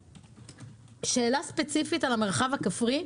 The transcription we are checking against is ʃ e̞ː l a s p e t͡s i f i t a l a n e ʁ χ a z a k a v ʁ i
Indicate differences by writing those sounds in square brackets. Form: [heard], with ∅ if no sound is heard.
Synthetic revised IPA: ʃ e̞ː l a s p e t͡s i f i t a l a [m] e ʁ χ a [v] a k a [f] ʁ i